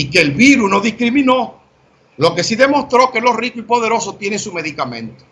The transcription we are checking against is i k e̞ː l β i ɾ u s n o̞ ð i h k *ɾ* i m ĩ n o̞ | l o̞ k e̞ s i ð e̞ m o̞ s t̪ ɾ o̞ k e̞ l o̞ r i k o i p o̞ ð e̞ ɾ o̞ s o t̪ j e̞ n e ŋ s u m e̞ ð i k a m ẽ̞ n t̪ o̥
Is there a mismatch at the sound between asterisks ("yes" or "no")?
no